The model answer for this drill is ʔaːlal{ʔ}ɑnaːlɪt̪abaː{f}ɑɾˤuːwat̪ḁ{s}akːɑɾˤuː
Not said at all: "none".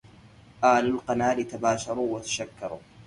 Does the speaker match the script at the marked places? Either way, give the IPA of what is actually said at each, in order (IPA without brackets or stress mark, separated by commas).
q, ʃ, ʃ